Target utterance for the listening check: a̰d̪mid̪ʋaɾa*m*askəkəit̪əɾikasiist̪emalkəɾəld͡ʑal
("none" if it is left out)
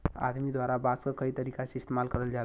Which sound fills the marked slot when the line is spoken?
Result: b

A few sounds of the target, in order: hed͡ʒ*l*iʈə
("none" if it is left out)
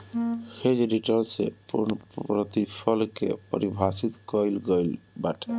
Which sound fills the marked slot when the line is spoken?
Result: ɾ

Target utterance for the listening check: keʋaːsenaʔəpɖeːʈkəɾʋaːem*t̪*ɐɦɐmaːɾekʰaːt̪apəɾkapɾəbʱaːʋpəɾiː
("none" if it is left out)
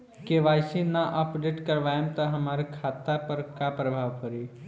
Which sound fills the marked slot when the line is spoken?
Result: t̪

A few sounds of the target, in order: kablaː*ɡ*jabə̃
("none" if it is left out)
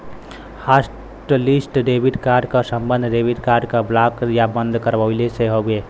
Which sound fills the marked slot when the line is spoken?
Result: k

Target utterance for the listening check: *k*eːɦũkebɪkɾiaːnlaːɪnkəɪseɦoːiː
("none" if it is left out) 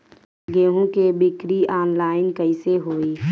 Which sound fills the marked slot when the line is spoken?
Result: ɡ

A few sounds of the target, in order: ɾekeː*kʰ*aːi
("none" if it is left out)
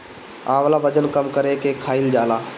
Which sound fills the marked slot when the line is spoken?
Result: kʰ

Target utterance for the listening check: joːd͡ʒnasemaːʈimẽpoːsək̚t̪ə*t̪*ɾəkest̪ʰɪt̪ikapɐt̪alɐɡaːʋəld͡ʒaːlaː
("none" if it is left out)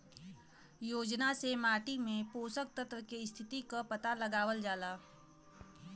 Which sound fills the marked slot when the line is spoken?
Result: t̪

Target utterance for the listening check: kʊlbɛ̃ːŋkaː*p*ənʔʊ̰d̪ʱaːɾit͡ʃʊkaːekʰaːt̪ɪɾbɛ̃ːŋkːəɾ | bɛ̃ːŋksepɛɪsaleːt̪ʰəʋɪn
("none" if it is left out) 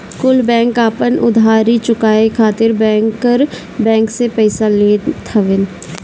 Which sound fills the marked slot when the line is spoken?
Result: p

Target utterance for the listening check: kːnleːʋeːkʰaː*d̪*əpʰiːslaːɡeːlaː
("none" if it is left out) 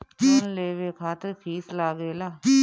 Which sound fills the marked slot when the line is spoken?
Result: t̪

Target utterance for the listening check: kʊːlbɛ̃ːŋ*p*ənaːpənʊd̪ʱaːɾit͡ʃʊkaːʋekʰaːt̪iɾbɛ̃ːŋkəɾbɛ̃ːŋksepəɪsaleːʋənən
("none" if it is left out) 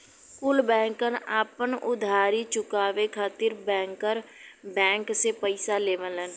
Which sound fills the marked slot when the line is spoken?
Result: k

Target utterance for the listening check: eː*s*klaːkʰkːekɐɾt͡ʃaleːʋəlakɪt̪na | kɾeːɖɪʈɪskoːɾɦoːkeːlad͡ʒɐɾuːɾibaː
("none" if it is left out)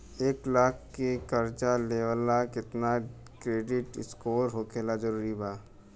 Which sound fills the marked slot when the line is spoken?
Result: none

